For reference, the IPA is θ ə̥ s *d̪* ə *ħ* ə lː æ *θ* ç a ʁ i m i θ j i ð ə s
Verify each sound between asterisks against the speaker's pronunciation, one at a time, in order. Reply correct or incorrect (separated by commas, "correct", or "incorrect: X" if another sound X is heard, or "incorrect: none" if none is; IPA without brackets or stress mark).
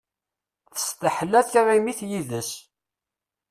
incorrect: t̪, correct, correct